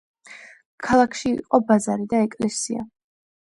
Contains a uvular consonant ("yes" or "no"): yes